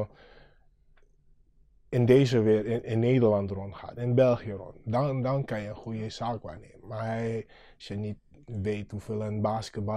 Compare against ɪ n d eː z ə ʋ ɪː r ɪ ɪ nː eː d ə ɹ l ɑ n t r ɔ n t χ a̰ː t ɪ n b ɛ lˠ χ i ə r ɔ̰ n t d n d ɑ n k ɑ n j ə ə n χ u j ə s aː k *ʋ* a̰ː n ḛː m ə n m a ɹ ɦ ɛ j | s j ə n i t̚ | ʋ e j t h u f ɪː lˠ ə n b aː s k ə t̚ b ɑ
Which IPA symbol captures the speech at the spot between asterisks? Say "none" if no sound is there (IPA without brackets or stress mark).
ʋ